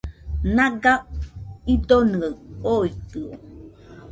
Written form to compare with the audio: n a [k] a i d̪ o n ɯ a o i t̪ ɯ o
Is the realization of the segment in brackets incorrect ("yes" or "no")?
yes